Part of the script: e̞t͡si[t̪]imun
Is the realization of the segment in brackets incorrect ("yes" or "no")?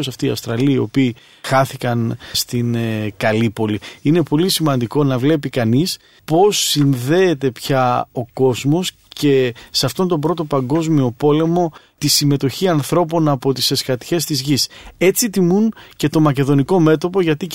no